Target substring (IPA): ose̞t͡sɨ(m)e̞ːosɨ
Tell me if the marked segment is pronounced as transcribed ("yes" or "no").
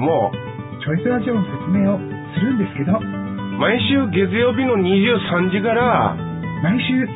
yes